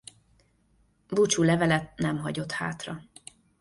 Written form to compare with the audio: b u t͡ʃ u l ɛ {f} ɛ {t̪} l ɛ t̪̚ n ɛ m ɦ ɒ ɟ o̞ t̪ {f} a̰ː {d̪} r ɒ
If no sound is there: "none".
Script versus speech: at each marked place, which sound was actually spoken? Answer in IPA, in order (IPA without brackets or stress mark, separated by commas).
v, none, h, t̪